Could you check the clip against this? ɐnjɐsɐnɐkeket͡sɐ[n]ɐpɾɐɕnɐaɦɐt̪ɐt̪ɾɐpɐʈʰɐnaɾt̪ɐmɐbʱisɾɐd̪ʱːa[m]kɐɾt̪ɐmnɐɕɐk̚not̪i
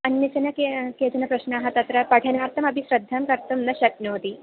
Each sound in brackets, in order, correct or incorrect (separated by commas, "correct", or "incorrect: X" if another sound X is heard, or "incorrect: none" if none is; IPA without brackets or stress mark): correct, correct